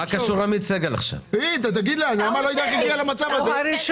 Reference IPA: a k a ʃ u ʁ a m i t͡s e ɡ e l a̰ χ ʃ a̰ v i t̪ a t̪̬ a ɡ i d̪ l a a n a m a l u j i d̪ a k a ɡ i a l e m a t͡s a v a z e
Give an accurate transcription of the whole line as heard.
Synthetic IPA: a k a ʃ u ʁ a m i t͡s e ɡ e l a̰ χ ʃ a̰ v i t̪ a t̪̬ a ɡ i d̪ l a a n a m a l o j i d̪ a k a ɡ i a l a m a t͡s a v a z e